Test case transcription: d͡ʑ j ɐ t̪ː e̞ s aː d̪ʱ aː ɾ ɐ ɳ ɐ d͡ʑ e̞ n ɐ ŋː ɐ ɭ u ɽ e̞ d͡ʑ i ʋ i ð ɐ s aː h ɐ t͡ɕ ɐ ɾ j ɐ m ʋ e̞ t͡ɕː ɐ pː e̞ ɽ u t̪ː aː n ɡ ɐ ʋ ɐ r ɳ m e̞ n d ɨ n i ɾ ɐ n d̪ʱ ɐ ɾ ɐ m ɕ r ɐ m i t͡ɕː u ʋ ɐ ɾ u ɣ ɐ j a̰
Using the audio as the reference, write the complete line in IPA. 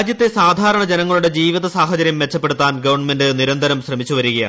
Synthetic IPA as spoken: d͡ʑ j ɐ t̪ː e̞ s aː d̪ʱ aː ɾ ɐ ɳ ɐ d͡ʑ e̞ n ɐ ŋː ɐ ɭ u ɽ e̞ d͡ʑ iː ʋ i ð ɐ s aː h ɐ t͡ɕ ɐ ɾ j ɐ m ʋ e̞ t͡ɕː ɐ pː e̞ ɽ u t̪ː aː n ɡ ɐ ʋ ɐ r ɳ m e̞ n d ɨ n i ɾ ɐ n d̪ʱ ɐ ɾ ɐ m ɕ r ɐ m i t͡ɕː u ʋ ɐ ɾ u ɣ ɐ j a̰